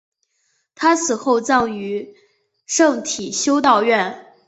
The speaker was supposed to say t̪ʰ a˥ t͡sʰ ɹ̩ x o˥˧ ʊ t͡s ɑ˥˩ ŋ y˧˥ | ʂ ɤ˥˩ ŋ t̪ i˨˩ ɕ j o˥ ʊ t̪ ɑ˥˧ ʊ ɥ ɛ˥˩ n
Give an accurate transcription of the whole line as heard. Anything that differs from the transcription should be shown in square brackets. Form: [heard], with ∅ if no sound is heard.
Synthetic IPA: t̪ʰ a˥ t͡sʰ ɹ̩ x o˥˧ ʊ t͡s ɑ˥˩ ŋ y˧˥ | ʂ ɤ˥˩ ŋ [t̪ʰ] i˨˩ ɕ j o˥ ʊ t̪ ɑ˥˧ ʊ ɥ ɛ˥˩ n